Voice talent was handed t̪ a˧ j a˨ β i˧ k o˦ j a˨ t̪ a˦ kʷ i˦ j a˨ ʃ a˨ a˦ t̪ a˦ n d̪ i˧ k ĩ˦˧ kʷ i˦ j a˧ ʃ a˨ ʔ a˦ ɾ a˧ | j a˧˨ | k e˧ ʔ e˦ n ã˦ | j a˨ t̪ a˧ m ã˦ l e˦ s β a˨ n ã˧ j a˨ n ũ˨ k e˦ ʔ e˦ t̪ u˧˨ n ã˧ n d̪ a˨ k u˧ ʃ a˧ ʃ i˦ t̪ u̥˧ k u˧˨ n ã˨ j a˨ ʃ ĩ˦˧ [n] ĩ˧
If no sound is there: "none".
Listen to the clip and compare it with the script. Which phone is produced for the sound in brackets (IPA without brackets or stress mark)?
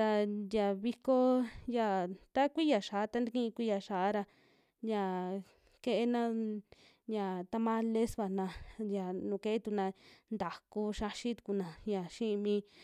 m